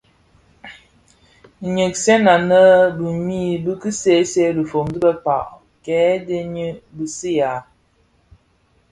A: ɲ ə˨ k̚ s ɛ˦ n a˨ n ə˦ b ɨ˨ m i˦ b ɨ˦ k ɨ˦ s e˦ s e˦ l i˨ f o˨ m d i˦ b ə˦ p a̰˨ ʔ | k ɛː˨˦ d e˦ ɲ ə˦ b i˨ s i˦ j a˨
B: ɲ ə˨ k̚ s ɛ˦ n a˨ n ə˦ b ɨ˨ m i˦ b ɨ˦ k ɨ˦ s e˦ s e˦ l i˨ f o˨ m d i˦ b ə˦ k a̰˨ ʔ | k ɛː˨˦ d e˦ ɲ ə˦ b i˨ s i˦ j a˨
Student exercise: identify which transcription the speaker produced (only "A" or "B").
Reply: A